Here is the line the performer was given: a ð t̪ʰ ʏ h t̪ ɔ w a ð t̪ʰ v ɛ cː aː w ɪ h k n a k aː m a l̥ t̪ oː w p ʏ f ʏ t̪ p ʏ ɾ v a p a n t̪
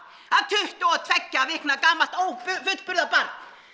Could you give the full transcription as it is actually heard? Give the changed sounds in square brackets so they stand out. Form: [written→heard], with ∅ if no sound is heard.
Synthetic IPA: a ð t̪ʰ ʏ h t̪ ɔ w a ð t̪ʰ v ɛ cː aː [w→v] ɪ h k n a k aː m a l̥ t̪ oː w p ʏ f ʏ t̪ p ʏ ɾ [v→ð] a p a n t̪